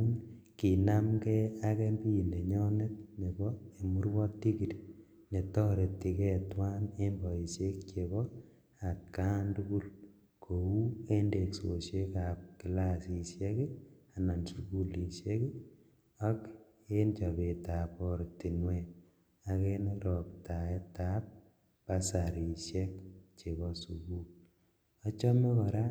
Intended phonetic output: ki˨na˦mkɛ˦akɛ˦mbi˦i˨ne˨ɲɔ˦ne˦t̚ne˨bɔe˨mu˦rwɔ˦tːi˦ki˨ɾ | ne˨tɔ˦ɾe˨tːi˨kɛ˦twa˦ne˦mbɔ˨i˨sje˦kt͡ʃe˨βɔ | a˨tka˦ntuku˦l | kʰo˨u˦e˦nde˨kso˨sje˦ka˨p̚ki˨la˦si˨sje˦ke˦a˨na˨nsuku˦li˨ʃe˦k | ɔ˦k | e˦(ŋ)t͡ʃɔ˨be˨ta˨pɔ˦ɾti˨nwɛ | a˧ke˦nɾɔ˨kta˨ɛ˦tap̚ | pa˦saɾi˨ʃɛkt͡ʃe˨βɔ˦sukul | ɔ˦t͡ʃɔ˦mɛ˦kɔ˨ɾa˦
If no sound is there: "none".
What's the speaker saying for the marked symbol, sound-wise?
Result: n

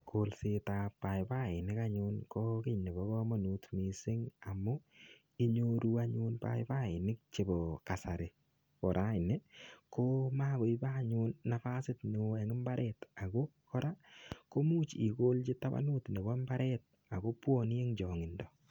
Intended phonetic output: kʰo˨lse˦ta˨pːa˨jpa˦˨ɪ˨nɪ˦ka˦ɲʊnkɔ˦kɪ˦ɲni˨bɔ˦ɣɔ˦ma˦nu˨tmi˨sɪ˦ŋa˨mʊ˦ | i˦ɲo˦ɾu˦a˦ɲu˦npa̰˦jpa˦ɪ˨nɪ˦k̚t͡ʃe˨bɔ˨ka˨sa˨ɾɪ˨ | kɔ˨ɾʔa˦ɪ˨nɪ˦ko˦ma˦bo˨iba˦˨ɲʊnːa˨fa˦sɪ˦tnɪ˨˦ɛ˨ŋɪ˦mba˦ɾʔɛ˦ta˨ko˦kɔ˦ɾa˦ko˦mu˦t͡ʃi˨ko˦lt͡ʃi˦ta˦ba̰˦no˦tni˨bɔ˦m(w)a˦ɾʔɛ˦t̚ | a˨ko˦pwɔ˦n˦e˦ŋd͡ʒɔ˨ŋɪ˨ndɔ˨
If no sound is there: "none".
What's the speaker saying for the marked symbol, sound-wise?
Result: b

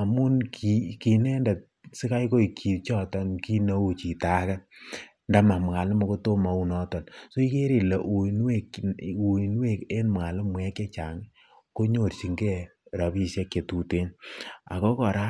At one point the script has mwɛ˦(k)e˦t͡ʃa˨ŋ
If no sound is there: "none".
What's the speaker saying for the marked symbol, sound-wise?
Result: k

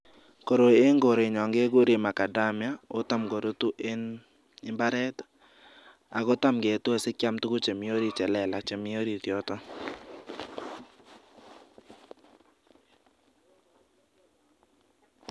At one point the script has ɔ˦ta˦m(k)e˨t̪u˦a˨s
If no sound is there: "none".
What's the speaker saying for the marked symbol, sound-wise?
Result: ɡ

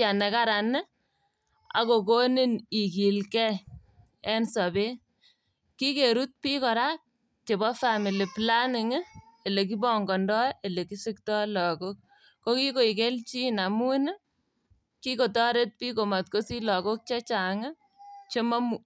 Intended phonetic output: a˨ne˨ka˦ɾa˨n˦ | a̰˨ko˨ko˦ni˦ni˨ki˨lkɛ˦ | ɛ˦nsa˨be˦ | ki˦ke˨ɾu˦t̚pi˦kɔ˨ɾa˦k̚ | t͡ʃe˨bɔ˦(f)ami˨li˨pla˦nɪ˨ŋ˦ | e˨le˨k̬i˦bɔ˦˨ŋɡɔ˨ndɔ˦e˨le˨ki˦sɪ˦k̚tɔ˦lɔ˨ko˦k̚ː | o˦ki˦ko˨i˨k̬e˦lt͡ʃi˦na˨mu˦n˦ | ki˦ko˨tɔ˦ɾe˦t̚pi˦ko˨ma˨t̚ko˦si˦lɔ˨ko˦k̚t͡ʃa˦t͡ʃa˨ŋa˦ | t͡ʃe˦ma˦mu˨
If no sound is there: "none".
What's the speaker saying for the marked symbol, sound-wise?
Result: f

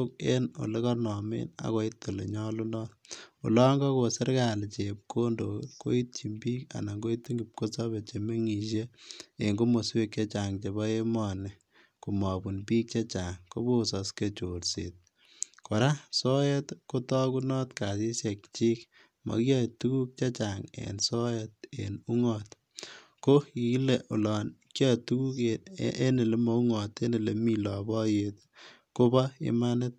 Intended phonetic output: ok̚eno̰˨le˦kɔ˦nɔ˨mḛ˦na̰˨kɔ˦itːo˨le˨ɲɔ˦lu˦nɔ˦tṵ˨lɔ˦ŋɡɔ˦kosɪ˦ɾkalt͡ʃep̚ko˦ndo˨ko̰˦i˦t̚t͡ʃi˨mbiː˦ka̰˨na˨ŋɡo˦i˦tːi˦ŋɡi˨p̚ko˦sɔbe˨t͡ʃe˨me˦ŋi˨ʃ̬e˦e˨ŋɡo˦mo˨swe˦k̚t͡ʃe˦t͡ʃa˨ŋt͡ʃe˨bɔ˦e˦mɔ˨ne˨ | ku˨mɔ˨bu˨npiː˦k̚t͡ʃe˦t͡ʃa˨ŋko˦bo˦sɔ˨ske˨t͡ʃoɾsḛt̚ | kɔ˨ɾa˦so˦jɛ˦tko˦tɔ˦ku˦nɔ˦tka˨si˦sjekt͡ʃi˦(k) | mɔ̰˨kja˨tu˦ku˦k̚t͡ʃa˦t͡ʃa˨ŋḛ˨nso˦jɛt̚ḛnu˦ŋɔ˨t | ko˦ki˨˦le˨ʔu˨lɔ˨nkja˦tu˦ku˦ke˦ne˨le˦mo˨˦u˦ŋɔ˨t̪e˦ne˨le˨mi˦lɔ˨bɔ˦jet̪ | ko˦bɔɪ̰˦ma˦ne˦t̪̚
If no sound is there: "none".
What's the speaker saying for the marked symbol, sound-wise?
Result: k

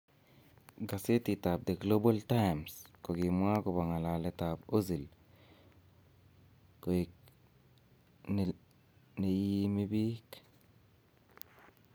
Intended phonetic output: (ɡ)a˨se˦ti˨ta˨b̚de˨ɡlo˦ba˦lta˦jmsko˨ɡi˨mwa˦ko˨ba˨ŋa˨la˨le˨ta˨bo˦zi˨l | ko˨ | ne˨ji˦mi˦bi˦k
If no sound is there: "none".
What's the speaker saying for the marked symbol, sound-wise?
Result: ɡ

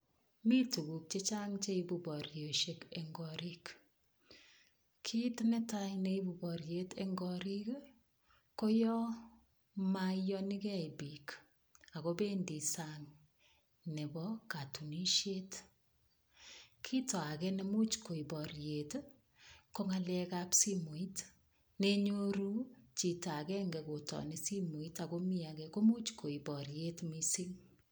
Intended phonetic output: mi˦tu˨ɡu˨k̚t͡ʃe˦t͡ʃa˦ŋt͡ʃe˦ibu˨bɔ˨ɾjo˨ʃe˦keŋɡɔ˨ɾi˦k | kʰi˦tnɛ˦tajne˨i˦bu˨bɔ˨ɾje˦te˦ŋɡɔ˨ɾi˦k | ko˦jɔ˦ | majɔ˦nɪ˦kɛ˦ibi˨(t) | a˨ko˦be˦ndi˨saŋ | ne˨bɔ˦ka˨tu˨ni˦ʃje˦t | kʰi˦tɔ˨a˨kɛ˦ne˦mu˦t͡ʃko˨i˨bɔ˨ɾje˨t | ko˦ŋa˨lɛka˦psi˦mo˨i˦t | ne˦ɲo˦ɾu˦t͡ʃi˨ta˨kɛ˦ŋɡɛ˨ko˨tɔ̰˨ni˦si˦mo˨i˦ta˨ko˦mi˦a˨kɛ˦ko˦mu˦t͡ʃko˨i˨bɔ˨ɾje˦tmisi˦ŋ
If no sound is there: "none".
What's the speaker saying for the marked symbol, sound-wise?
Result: k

